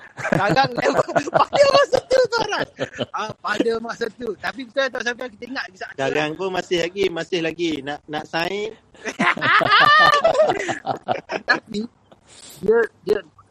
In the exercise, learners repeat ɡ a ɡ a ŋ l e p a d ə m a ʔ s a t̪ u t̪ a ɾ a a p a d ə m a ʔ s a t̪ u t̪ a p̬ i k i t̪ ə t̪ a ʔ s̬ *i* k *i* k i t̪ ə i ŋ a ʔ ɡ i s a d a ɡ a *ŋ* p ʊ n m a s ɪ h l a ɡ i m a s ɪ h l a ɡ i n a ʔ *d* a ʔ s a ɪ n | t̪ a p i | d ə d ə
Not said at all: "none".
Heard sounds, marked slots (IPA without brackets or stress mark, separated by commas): a, a, ŋ, n